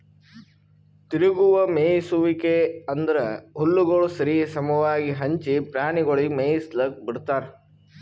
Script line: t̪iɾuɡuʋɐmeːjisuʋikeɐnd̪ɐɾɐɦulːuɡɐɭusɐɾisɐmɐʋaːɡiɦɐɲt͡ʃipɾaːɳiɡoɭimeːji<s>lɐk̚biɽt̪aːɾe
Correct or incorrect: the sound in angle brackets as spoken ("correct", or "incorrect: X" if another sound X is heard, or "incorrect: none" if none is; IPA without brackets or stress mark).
correct